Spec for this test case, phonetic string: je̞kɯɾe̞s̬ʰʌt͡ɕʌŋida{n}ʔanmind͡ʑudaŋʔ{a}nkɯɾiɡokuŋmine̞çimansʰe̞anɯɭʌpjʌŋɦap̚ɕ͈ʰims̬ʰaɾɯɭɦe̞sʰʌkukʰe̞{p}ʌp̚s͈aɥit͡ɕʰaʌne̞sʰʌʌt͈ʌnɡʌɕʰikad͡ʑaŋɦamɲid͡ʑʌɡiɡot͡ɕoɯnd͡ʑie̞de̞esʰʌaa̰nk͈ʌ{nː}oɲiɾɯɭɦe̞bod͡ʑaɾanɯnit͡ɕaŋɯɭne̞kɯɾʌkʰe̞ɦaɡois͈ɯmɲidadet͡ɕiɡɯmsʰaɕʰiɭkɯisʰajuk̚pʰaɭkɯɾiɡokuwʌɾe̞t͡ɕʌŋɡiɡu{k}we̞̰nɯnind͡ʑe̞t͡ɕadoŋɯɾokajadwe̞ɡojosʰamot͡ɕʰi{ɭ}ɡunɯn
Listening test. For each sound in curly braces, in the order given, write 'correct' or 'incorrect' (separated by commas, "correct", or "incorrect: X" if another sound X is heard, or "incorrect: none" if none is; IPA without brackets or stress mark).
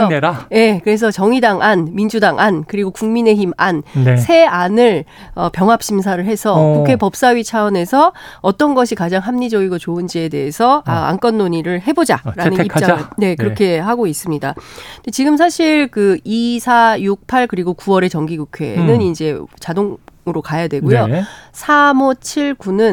incorrect: ŋ, correct, correct, correct, incorrect: kʰ, correct